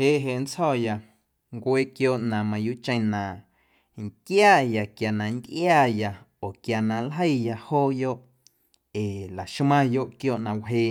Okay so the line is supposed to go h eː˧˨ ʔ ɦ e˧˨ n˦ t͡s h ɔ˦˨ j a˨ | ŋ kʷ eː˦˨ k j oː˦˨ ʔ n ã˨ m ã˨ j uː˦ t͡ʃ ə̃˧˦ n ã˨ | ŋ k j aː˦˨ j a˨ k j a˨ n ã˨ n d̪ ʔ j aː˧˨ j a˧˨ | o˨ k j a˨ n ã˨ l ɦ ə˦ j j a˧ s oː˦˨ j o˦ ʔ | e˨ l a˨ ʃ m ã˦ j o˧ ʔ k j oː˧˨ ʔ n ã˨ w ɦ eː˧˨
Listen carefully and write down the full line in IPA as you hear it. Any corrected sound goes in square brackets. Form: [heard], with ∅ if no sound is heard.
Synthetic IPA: h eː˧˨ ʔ ɦ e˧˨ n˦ t͡s h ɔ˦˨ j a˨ | ŋ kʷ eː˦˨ k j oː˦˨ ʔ n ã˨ m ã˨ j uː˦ t͡ʃ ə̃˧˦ n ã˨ | ŋ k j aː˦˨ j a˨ k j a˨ n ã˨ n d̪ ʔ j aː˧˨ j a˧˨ | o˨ k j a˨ n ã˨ l ɦ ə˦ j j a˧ [h] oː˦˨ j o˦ ʔ | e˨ l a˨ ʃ m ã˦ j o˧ ʔ k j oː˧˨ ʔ n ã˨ w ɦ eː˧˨